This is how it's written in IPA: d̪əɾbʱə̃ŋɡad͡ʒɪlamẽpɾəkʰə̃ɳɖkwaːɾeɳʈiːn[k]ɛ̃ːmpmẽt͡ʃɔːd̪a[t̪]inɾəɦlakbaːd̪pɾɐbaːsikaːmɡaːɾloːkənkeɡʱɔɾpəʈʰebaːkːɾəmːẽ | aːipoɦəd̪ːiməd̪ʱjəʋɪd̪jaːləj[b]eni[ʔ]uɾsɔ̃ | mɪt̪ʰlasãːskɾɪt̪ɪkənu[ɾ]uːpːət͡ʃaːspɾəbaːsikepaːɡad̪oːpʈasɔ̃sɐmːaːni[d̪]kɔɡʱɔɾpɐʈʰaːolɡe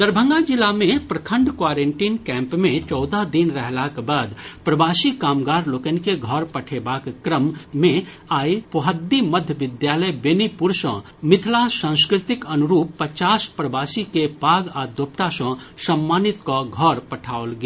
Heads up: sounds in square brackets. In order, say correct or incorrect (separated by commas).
correct, incorrect, correct, incorrect, correct, incorrect